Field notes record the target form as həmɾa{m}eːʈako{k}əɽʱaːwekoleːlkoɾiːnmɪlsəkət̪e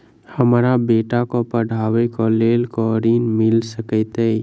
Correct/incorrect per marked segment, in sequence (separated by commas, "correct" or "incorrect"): incorrect, incorrect